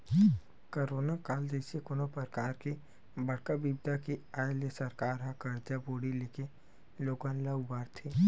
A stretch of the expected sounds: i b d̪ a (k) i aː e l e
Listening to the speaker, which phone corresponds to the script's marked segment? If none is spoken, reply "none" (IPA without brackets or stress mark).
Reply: k